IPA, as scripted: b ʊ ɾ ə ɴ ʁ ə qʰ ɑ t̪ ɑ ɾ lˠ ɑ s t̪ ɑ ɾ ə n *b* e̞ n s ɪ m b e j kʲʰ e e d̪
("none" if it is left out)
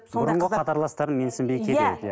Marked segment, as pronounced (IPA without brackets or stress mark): m